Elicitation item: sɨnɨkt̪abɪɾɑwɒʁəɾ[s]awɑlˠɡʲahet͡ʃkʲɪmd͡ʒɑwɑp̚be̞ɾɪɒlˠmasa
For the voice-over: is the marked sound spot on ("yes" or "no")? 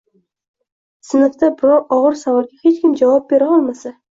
yes